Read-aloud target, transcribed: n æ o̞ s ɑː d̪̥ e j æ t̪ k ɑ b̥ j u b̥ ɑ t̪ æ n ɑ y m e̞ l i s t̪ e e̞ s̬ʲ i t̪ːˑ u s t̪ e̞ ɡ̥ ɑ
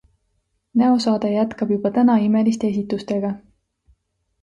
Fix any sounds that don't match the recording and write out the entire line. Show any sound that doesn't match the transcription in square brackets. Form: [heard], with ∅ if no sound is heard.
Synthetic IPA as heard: n æ o̞ s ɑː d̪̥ e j æ t̪ k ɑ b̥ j u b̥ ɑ t̪ æ n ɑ [i] m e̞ l i s t̪ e e̞ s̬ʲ i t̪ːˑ u s t̪ e̞ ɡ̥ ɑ

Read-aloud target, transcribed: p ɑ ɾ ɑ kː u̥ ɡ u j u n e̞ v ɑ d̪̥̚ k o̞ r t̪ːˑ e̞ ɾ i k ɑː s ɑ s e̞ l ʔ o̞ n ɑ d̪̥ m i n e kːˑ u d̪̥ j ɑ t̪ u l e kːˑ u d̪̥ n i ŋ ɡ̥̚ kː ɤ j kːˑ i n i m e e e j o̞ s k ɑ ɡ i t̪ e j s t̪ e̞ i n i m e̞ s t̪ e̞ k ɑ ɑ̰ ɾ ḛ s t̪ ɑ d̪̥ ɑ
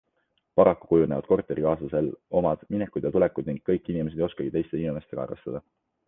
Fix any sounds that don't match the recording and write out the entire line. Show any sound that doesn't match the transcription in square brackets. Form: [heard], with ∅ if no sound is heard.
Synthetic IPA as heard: p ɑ ɾ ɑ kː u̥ [k] u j u n e̞ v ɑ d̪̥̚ k o̞ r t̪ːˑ e̞ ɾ i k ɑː s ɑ s e̞ l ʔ o̞ [m] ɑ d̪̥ m i n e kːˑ u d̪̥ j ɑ t̪ u l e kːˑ u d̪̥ n i ŋ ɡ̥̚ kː ɤ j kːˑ i n i m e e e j o̞ s k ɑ ɡ i t̪ e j s t̪ e̞ i n i m e̞ s t̪ e̞ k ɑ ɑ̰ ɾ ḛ s t̪ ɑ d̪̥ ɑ

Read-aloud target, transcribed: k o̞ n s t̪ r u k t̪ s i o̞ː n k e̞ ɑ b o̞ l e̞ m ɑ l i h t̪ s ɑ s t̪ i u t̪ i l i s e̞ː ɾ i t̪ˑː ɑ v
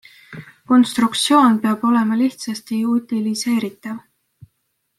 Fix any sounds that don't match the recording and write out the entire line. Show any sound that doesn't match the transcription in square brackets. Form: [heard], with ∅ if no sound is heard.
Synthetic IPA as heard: k o̞ n s t̪ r u k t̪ s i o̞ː n [p] e̞ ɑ b o̞ l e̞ m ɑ l i h t̪ s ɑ s t̪ i u t̪ i l i s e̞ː ɾ i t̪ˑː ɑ v

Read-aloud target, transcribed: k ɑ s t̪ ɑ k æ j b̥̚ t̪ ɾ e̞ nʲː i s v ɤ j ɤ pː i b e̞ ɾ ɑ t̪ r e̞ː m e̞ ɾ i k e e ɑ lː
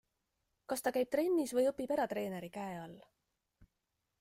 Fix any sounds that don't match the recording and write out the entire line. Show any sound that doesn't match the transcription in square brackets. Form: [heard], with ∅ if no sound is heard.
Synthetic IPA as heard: k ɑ s t̪ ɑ k æ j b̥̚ t̪ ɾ e̞ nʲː i s v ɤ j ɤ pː i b e̞ ɾ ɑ t̪ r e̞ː [n] e̞ ɾ i k [æ] e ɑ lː

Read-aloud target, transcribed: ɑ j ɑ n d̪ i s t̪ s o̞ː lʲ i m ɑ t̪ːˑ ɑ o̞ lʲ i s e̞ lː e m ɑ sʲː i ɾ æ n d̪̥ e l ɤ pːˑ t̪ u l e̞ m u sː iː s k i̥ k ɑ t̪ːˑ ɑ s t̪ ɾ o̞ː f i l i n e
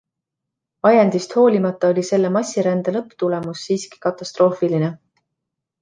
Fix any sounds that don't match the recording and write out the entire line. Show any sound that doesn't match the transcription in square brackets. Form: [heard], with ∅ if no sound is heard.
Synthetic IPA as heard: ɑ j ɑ n d̪ i s t̪ [h] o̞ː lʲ i m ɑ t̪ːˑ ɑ o̞ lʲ i s e̞ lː e m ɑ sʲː i ɾ æ n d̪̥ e l ɤ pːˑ t̪ u l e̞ m u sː iː s k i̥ k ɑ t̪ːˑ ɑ s t̪ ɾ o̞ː f i l i n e

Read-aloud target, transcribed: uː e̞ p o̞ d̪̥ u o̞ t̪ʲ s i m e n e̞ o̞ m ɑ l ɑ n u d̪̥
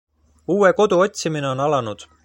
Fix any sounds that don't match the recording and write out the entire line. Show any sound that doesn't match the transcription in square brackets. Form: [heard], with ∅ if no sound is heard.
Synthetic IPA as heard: uː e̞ [k] o̞ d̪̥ u o̞ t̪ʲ s i m [i] n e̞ o̞ [n] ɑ l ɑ n u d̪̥

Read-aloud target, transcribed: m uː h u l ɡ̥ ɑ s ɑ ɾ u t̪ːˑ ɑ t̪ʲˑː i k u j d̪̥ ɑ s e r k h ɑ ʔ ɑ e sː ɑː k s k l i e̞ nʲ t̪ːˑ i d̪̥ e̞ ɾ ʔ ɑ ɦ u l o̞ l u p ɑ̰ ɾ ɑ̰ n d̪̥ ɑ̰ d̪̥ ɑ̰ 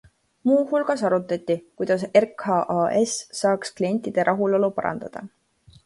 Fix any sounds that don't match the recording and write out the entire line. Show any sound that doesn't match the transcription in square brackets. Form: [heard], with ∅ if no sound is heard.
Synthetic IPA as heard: m uː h u l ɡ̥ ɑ s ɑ ɾ u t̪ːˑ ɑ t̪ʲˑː i k u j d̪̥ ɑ s e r k h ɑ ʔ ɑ e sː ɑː k s k l i e̞ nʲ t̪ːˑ i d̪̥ e̞ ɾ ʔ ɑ ɦ u l o̞ l u p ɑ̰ ɾ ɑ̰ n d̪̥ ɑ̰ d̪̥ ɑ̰

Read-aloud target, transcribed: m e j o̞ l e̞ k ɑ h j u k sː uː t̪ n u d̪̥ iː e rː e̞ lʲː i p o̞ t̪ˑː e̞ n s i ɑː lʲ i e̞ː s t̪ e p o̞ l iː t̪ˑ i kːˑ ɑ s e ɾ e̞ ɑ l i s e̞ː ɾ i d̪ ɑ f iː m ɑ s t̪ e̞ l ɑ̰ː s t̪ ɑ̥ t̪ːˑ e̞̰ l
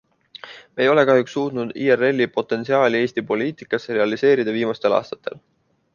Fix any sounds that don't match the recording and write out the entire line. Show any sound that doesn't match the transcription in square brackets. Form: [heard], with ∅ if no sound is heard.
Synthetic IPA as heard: m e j o̞ l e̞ k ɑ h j u k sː uː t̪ n u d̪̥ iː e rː e̞ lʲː i p o̞ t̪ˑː e̞ n s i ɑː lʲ i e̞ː s t̪ [i] p o̞ l iː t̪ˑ i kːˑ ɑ s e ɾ e̞ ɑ l i s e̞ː ɾ i d̪ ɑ [v] iː m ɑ s t̪ e̞ l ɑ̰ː s t̪ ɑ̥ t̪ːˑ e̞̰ l

